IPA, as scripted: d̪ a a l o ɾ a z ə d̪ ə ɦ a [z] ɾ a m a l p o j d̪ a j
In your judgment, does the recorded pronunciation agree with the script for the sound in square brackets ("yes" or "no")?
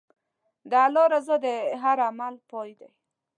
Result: no